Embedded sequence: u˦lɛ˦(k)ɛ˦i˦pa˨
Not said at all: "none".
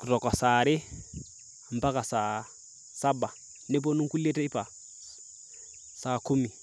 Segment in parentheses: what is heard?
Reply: t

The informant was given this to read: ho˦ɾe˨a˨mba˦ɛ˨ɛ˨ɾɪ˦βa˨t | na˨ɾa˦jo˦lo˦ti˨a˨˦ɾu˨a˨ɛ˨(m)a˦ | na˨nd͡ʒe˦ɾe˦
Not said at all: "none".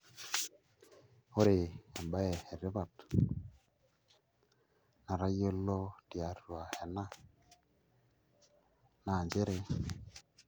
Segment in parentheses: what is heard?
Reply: n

